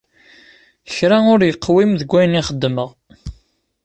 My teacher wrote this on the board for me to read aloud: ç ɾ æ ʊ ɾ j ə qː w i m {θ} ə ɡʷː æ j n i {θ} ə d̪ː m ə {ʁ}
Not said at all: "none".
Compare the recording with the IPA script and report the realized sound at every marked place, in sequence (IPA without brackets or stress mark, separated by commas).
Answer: ð, χ, ʁ